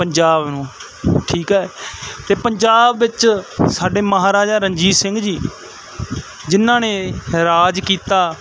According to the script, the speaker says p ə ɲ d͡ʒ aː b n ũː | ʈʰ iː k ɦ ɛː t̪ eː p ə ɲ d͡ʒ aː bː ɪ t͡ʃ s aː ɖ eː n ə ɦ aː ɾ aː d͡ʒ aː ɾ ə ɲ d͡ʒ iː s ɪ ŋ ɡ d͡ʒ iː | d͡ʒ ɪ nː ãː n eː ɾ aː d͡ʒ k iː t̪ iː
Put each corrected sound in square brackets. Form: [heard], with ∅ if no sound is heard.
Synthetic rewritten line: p ə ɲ d͡ʒ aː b n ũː | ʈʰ iː k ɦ ɛː t̪ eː p ə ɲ d͡ʒ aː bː ɪ t͡ʃ s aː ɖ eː [m] ə ɦ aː ɾ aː d͡ʒ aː ɾ ə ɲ d͡ʒ iː s ɪ ŋ ɡ d͡ʒ iː | d͡ʒ ɪ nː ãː n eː ɾ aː d͡ʒ k iː t̪ [aː]

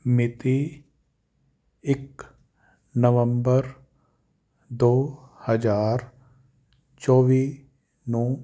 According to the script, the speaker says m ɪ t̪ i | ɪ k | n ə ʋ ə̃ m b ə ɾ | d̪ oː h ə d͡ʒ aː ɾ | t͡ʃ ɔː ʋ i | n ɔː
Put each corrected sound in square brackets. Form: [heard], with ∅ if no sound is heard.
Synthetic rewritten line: m ɪ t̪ i | ɪ k | n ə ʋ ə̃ m b ə ɾ | d̪ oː h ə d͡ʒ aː ɾ | t͡ʃ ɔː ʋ i | n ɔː

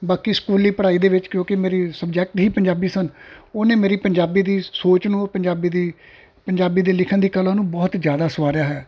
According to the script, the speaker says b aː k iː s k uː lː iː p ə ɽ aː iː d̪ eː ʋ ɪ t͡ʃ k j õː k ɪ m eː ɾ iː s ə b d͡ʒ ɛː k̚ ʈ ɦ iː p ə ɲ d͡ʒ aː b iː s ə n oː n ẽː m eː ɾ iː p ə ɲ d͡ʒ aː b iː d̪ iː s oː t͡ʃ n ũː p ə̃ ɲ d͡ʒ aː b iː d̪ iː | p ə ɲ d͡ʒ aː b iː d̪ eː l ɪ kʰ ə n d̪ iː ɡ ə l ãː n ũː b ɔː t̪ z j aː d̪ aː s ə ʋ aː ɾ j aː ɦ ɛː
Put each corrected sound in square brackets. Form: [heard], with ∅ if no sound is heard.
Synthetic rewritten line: b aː k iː s k uː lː iː p ə ɽ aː iː d̪ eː ʋ ɪ t͡ʃ k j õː k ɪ m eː ɾ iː s ə b d͡ʒ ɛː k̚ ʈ ɦ iː p ə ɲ d͡ʒ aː b iː s ə n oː n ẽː m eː ɾ iː p ə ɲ d͡ʒ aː b iː d̪ iː s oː t͡ʃ n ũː p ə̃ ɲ d͡ʒ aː b iː d̪ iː | p ə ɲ d͡ʒ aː b iː d̪ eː l ɪ kʰ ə n d̪ iː [k] ə l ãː n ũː b ɔː t̪ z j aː d̪ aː s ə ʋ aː ɾ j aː ɦ ɛː

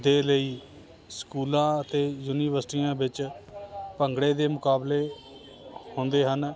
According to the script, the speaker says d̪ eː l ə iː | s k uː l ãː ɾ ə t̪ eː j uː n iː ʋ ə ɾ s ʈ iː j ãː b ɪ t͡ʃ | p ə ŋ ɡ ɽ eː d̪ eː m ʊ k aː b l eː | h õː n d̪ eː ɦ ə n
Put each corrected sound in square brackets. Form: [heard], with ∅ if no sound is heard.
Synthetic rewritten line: d̪ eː l ə iː | s k uː l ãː [∅] ə t̪ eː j uː n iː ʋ ə ɾ s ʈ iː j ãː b ɪ t͡ʃ | p ə ŋ ɡ ɽ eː d̪ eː m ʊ k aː b l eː | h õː n d̪ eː ɦ ə n

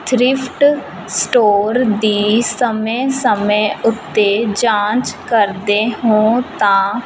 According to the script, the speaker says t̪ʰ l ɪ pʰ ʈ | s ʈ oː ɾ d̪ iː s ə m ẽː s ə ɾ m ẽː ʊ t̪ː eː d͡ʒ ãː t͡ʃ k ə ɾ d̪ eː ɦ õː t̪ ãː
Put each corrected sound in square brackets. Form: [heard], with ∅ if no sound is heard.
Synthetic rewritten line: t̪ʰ [ɾ] ɪ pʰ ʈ | s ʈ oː ɾ d̪ iː s ə m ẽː s ə [∅] m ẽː ʊ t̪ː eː d͡ʒ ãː t͡ʃ k ə ɾ d̪ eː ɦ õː t̪ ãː

